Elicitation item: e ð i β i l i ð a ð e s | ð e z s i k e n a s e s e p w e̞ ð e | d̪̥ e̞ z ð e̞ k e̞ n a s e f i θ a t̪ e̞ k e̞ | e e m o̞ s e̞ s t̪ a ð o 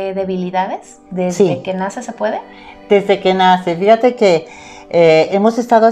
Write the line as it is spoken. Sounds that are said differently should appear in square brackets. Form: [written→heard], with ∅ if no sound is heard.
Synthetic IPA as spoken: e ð [i→e] β i l i ð a ð e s | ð e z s i k e n a s e s e p w e̞ ð e | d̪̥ e̞ z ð e̞ k e̞ n a s e f i [θ→x] a t̪ e̞ k e̞ | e e m o̞ s e̞ s t̪ a ð o